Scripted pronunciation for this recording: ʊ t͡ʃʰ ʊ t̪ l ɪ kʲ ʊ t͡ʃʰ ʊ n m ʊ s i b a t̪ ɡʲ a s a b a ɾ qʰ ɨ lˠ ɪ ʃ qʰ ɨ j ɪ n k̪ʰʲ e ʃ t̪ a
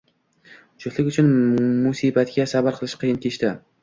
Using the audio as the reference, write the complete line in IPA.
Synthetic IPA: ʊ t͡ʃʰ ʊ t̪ l ɪ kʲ ʊ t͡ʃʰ ʊ n m ʊ s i b a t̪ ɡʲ a s a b a ɾ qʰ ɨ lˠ ɪ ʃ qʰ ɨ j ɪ n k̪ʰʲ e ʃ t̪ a